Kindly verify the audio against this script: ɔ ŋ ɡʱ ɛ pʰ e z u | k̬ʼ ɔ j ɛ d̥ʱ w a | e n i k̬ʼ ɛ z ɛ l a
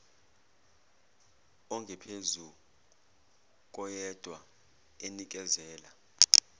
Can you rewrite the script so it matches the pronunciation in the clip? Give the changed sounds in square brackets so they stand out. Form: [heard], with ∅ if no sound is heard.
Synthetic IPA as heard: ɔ ŋ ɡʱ ɛ pʰ e z u | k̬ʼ ɔ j ɛ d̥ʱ w a | e n i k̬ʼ ɛ z [ɛː] l a